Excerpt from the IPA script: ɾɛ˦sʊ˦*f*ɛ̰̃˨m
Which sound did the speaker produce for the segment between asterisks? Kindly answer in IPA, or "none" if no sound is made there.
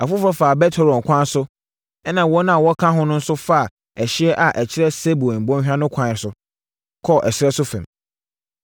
f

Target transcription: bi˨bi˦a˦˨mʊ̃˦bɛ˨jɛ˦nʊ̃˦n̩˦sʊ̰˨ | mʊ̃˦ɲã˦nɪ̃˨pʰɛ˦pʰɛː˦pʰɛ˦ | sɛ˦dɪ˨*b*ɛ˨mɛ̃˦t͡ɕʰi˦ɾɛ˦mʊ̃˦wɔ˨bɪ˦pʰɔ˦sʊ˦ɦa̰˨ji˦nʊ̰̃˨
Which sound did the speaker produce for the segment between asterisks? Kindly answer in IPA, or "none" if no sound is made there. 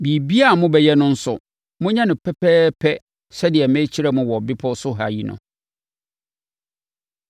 none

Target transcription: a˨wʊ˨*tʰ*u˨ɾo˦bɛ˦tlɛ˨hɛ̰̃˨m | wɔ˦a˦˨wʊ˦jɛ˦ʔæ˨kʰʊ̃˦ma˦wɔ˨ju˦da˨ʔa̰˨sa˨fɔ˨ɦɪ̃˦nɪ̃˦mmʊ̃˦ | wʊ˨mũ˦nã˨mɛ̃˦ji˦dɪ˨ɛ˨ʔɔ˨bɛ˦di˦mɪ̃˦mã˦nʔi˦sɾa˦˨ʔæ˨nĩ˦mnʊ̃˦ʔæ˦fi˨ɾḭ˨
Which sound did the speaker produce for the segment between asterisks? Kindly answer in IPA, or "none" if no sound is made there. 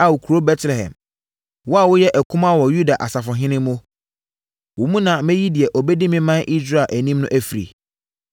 kʰ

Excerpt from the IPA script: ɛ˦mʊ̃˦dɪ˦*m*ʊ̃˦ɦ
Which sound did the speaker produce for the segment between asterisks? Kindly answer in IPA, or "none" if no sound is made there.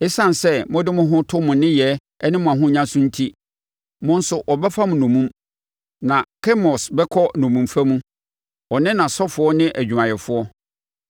m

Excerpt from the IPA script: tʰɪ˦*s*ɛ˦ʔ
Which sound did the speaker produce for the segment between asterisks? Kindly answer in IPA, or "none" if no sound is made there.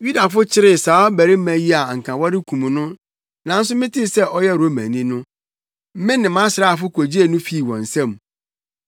s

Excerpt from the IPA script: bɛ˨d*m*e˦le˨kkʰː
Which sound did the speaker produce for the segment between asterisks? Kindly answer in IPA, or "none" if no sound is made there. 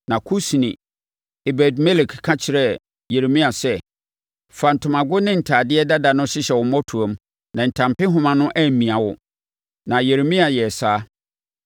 m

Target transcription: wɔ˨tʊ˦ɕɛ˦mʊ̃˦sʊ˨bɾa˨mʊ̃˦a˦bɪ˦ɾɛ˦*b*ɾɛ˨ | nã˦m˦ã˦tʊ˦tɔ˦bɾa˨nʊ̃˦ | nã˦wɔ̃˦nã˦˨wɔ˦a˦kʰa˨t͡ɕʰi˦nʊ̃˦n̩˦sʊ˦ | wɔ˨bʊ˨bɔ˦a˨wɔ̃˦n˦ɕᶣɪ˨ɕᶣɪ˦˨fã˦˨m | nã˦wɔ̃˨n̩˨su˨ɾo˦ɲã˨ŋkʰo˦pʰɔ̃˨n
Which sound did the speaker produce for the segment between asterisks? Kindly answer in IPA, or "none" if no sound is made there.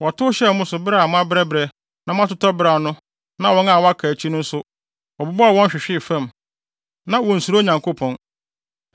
b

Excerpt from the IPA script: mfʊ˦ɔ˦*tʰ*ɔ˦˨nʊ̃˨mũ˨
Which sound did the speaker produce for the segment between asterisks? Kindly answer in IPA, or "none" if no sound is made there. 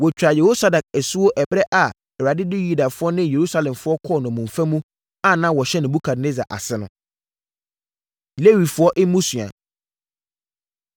kʰ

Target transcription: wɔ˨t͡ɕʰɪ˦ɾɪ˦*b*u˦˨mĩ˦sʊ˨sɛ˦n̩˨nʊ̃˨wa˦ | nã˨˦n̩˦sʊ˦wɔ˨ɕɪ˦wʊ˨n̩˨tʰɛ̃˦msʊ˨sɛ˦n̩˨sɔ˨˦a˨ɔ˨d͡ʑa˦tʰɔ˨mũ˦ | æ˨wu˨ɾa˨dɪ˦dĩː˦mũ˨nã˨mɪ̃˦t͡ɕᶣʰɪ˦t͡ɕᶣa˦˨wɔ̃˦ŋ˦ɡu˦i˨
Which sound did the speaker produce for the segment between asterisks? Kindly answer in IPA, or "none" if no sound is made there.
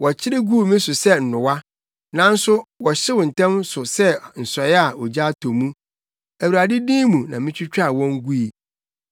ɡ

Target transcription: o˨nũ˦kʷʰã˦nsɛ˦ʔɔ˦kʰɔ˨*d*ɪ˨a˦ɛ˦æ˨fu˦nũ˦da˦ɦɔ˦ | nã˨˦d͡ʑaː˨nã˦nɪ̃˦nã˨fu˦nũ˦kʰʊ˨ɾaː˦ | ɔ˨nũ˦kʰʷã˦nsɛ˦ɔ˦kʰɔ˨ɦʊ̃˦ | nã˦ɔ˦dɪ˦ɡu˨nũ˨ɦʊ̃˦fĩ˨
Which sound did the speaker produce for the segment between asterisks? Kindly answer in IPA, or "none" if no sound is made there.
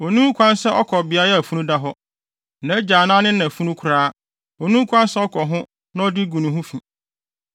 b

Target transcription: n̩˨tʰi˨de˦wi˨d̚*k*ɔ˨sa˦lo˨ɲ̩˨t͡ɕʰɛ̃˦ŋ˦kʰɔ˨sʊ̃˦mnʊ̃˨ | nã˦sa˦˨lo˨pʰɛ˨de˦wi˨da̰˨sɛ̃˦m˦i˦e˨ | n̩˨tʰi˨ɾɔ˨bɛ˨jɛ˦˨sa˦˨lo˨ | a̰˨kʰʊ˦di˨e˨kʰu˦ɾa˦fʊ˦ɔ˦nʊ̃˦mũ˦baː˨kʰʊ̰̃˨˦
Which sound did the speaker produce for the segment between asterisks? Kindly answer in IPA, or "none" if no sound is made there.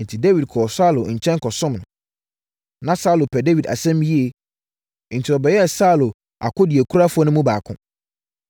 kʰ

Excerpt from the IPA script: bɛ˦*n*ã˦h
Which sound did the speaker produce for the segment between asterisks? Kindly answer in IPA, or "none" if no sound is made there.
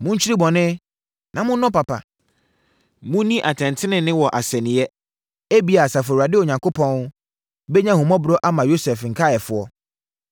ɲ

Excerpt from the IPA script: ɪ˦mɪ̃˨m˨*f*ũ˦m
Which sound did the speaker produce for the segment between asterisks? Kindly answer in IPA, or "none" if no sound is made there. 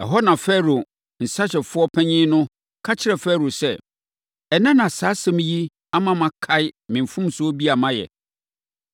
f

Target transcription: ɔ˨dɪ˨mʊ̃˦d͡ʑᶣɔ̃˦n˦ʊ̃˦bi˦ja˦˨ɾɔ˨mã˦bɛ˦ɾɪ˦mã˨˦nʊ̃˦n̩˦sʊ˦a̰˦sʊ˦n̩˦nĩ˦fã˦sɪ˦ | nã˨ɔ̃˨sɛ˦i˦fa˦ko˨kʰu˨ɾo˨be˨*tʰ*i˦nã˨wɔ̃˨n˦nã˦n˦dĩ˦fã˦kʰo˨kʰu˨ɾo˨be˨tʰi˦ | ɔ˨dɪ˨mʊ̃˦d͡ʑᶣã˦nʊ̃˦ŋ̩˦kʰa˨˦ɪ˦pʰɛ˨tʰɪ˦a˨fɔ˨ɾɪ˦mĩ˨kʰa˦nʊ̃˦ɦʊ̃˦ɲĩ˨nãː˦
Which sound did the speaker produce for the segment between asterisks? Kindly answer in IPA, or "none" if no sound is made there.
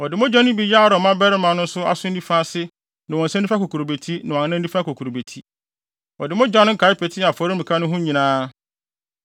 tʰ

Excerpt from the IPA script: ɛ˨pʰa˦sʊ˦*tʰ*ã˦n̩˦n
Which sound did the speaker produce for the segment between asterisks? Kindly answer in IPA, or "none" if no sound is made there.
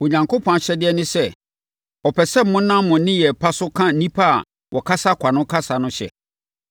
kʰ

